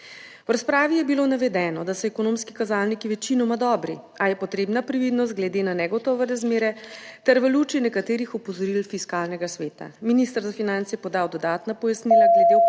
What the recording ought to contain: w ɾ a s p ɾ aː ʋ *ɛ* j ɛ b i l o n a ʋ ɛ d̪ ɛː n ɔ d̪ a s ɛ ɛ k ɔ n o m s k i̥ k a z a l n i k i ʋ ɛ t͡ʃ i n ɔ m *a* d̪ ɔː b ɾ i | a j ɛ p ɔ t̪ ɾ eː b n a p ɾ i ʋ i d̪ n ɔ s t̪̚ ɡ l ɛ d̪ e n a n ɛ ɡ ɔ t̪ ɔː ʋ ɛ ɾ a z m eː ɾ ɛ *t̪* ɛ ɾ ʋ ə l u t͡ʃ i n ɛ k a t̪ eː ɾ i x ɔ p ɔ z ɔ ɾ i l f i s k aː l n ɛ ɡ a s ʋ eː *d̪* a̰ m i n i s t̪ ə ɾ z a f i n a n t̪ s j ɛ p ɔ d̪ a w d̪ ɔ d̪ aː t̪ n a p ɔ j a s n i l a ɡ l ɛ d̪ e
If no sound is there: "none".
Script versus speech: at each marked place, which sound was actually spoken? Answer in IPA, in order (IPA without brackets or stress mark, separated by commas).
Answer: i, a, t̪, t̪